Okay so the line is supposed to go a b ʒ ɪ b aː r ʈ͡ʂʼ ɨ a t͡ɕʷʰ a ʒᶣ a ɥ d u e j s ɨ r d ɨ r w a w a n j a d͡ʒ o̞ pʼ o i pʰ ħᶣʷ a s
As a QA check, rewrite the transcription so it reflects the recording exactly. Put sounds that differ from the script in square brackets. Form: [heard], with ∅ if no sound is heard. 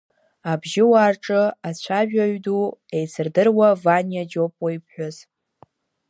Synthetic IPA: a b ʒ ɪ [w] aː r ʈ͡ʂʼ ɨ a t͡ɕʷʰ a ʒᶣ a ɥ d u e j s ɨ r d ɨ r w a [v] a n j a d͡ʒ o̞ pʼ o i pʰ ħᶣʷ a [z]